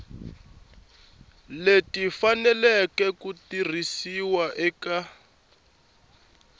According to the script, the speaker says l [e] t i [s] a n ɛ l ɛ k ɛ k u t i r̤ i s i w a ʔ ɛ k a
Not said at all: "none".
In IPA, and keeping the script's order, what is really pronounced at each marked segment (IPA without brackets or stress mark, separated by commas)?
e, f